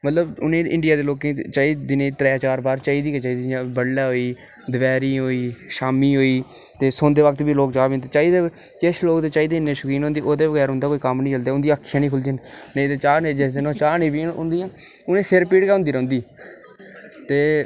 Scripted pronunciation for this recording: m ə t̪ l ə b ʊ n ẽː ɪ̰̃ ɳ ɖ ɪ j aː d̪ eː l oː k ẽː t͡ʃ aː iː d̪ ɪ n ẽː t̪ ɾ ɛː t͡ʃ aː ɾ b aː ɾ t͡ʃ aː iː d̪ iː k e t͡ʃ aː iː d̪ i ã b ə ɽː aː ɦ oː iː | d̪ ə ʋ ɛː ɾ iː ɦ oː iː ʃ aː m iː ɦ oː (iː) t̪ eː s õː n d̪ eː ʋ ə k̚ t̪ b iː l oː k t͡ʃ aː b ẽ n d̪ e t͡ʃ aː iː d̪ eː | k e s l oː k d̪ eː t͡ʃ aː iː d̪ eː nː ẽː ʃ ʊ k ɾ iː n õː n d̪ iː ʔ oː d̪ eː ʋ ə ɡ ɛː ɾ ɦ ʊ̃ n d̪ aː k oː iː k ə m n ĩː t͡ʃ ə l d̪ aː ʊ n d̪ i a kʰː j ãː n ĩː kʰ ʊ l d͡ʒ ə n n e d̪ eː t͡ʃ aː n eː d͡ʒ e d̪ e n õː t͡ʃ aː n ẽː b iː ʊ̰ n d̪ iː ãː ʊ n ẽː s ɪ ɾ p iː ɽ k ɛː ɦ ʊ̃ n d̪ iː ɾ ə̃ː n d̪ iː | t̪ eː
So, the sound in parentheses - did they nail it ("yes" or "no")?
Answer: yes